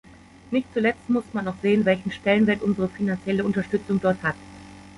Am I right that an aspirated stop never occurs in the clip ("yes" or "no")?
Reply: yes